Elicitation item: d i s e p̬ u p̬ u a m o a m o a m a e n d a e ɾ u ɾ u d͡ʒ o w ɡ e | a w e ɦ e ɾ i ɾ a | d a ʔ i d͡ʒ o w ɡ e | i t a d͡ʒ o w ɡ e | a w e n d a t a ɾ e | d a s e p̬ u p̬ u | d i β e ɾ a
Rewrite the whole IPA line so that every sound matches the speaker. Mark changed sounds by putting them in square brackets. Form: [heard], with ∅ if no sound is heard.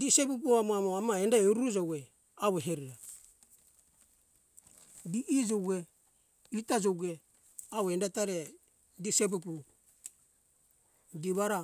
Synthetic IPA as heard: d i s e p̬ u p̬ u a m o a m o a m a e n d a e ɾ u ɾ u d͡ʒ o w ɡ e | a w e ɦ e ɾ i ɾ a | d [i] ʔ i d͡ʒ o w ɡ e | i t a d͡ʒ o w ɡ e | a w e n d a t a ɾ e | d [i] s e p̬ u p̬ u | d i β [a] ɾ a